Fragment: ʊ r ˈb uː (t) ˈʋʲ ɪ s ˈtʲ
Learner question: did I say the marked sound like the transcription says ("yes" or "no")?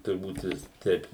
yes